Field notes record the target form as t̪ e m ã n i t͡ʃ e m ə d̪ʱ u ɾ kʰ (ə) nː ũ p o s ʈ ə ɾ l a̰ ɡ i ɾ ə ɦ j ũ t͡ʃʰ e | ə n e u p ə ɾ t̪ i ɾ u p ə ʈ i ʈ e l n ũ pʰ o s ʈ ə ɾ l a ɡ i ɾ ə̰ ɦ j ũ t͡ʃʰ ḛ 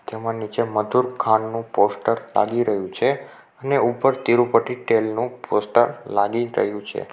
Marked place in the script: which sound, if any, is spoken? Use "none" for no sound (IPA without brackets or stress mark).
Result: a